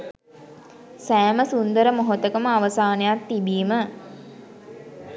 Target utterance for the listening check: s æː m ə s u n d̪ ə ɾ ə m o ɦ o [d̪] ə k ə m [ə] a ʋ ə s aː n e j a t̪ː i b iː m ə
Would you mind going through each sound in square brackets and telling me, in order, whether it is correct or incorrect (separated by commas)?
incorrect, correct